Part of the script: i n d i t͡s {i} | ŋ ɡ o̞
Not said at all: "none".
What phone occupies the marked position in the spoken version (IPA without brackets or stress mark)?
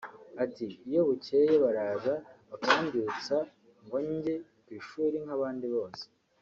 a